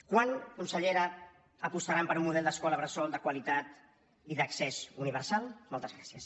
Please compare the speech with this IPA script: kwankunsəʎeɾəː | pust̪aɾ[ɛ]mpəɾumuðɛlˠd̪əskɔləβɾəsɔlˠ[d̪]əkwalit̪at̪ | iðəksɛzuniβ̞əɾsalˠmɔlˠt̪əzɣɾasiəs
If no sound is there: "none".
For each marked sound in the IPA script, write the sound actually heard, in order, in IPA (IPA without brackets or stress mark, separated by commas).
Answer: a, d̪